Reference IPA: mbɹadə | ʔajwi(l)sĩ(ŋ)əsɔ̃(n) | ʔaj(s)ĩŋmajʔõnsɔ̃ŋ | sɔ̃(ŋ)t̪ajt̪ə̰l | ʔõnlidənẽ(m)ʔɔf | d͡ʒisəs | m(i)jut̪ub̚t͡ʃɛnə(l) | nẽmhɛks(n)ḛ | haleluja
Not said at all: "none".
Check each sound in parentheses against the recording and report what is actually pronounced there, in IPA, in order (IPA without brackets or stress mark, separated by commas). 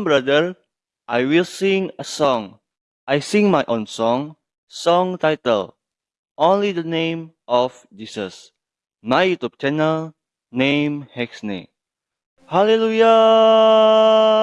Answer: l, ŋ, ŋ, s, ŋ, m, a, l, n